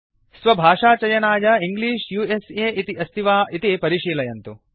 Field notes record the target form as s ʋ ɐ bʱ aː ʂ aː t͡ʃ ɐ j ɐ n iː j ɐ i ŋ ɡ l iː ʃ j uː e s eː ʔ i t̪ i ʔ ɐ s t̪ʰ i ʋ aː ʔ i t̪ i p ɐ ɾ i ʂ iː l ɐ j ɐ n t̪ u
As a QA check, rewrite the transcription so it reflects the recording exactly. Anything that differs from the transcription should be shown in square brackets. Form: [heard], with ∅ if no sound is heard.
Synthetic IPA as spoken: s ʋ ɐ bʱ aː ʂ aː t͡ʃ ɐ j ɐ n [aː] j ɐ i ŋ ɡ l iː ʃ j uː e s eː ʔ i t̪ i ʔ ɐ s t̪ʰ i ʋ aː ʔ i t̪ i p ɐ ɾ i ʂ iː l ɐ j ɐ n t̪ u

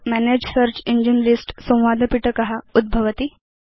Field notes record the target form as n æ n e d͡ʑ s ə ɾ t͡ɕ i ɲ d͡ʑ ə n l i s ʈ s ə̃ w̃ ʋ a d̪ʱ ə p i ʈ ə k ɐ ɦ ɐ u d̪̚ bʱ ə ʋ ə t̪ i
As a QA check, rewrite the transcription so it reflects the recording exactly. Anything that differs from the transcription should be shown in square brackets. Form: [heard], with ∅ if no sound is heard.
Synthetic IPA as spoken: [m] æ n e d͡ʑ s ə ɾ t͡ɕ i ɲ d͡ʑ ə n l i s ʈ s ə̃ w̃ ʋ a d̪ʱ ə p i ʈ ə k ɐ ɦ [a] u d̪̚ bʱ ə ʋ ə t̪ i

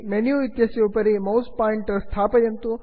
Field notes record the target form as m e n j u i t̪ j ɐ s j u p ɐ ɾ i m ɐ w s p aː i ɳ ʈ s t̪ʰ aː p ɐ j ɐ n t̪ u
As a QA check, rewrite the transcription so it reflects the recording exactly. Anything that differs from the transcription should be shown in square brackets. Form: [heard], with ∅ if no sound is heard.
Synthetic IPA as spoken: m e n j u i t̪ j ɐ s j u p ɐ ɾ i m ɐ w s p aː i ɳ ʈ s t̪ʰ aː p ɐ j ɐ n t̪ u

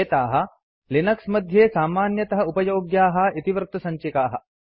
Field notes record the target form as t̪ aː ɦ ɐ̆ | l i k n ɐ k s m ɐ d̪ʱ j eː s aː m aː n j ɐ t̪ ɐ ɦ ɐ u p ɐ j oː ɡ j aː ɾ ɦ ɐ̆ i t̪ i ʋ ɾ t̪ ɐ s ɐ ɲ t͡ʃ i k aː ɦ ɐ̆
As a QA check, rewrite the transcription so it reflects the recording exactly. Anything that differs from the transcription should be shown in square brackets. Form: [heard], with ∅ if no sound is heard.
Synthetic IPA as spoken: t̪ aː ɦ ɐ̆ | l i [∅] n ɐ k s m ɐ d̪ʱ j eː s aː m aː n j ɐ t̪ ɐ ɦ ɐ u p ɐ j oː ɡ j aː [∅] ɦ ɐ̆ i t̪ i ʋ ɾ t̪ ɐ s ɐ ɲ t͡ʃ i k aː ɦ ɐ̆

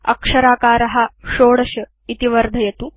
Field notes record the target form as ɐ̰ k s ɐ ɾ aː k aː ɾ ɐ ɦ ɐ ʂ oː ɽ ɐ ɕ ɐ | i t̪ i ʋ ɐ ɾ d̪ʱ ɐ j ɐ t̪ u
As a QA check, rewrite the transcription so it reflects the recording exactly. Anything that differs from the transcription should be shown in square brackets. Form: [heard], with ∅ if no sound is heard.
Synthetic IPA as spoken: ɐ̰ k [ʂ] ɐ ɾ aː k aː ɾ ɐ ɦ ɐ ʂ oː ɽ ɐ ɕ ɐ | i t̪ i ʋ ɐ ɾ d̪ʱ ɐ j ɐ t̪ u

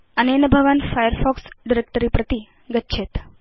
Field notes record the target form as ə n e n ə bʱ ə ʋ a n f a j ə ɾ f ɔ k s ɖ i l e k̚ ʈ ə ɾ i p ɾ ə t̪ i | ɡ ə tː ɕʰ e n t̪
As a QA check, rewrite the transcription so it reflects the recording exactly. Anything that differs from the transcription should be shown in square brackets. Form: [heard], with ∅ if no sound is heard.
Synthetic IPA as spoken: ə n e n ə bʱ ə ʋ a n f a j ə ɾ f ɔ k s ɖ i [ɾ] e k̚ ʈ ə ɾ i p ɾ ə t̪ i | ɡ ə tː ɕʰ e [∅] t̪

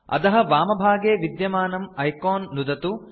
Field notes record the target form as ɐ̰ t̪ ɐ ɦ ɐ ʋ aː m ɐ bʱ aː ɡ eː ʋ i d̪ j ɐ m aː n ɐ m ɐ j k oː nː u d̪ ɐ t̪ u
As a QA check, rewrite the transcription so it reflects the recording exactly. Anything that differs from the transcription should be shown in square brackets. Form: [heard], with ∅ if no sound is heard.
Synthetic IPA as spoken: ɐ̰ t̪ ɐ ɦ ɐ ʋ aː m ɐ bʱ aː ɡ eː ʋ i d̪ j ɐ m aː n ɐ m ɐ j k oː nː u d̪ ɐ t̪ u

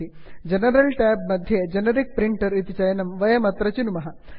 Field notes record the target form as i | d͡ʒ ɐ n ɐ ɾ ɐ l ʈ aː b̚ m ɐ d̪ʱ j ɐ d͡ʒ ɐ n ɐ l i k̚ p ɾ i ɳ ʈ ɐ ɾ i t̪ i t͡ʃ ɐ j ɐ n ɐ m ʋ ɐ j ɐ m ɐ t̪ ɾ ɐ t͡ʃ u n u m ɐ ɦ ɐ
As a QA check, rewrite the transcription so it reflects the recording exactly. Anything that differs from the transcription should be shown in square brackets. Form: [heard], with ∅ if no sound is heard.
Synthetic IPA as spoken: i | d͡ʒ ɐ n ɐ ɾ ɐ l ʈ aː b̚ m ɐ d̪ʱ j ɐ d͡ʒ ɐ n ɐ [ɾ] i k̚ p ɾ i ɳ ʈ ɐ ɾ i t̪ i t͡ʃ ɐ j ɐ n ɐ m ʋ ɐ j ɐ m ɐ t̪ ɾ ɐ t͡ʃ u n u m ɐ ɦ ɐ

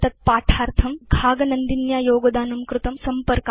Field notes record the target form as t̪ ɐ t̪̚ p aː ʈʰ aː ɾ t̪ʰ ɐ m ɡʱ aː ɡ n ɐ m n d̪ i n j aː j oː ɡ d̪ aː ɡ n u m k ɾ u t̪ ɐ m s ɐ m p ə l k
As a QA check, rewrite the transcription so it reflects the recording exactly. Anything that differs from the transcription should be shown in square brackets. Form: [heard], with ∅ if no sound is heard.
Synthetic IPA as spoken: t̪ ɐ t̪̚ p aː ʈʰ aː ɾ t̪ʰ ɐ m ɡʱ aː ɡ n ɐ [∅] n d̪ i n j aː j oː ɡ d̪ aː [∅] n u m k ɾ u t̪ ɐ m s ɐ m p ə [ɾ] k

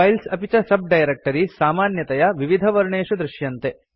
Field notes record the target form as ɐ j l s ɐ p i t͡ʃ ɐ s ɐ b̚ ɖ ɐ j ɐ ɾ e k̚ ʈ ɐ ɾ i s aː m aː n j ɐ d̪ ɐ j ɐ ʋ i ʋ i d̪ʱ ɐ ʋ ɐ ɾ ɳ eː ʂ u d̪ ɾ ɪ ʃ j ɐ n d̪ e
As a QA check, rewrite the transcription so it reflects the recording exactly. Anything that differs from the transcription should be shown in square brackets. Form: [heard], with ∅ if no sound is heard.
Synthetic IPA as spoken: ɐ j l s ɐ p i t͡ʃ ɐ s ɐ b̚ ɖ ɐ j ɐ ɾ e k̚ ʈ ɐ ɾ i s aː m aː n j ɐ [t̪] ɐ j ɐ ʋ i ʋ i d̪ʱ ɐ ʋ ɐ ɾ ɳ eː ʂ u d̪ ɾ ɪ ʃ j ɐ n [t̪] e

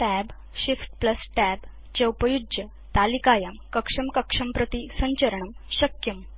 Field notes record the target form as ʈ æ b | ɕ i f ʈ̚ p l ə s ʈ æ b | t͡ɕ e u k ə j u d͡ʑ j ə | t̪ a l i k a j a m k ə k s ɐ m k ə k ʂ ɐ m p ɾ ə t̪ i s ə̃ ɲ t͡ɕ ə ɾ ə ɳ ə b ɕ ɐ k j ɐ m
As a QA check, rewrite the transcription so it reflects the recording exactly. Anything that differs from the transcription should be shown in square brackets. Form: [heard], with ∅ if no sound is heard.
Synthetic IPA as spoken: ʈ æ b | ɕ i f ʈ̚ p l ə s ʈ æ b | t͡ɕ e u [p] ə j u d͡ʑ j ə | t̪ a l i k a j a m k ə k [ʂ] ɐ m k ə k ʂ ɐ m p ɾ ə t̪ i s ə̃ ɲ t͡ɕ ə ɾ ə ɳ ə [m] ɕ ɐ k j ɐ m

